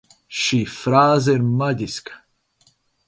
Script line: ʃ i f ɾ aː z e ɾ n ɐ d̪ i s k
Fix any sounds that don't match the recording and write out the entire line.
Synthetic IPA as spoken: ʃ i f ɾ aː z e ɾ m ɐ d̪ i s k

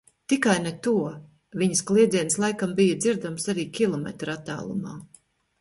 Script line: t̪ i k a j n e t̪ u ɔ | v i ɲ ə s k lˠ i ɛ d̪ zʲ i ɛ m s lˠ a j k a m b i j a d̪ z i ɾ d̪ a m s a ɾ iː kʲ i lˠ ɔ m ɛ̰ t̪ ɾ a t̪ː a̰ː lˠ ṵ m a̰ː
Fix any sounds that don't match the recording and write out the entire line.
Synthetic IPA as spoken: t̪ i k a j n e t̪ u ɔ | v i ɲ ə s k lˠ i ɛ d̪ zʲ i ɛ n s lˠ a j k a m b i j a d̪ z i ɾ d̪ a m s a ɾ iː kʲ i lˠ ɔ m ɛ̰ t̪ ɾ a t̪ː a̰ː lˠ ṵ m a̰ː

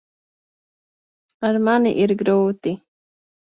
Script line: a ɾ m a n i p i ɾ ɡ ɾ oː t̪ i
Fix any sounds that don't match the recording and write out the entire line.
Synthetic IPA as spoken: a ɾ m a n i ʔ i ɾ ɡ ɾ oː t̪ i

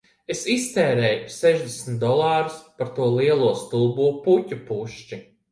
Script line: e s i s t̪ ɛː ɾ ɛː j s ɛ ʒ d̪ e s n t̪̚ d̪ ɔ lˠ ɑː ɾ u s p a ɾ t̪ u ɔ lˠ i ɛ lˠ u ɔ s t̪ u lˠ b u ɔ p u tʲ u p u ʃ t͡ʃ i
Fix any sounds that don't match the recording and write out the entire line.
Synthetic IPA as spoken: e s i s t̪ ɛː ɾ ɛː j s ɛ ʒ d̪ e s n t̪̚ d̪ ɔ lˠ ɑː ɾ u s p a ɾ t̪ u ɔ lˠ i ɛ lˠ u ɔ s t̪ u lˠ b u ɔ p u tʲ u p u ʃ t͡ʃ i

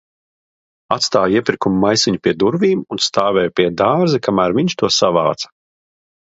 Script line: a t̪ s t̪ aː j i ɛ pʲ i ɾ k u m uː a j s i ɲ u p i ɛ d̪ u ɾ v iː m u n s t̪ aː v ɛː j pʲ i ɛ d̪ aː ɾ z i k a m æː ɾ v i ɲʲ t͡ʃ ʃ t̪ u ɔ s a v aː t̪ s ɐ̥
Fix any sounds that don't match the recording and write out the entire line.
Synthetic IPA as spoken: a t̪ s t̪ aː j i ɛ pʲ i ɾ k u m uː a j s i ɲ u p i ɛ d̪ u ɾ v iː m u n s t̪ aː v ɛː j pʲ i ɛ d̪ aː ɾ z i k a m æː ɾ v i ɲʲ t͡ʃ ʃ t̪ u ɔ s a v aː t̪ s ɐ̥

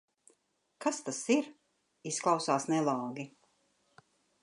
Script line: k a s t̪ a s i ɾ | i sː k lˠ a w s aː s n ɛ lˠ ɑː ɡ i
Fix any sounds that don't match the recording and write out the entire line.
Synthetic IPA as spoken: k a s t̪ a s i ɾ | i s k lˠ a w s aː s n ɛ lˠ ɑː ɡ i

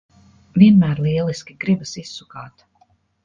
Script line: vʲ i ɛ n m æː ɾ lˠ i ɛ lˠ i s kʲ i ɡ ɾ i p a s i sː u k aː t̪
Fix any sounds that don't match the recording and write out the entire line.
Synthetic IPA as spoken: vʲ i ɛ n m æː ɾ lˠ i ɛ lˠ i s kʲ i ɡ ɾ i b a s i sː u k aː t̪

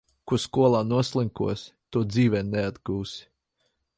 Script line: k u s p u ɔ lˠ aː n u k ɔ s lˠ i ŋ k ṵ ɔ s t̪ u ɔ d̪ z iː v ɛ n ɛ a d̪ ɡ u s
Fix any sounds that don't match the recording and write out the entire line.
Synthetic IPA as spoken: k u s k u ɔ lˠ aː n u ɔ s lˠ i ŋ k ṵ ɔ s t̪ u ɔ d̪ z iː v ɛ n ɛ a d̪ ɡ uː s

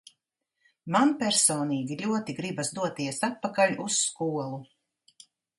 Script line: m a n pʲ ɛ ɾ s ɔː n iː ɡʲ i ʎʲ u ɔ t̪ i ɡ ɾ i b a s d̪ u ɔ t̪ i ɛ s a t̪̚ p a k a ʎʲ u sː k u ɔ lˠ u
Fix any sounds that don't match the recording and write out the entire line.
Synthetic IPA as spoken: m a n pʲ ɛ ɾ s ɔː n iː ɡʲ i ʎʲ u ɔ t̪ i ɡ ɾ i b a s d̪ u ɔ t̪ i ɛ s a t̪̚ p a k a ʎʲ u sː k u ɔ lˠ u

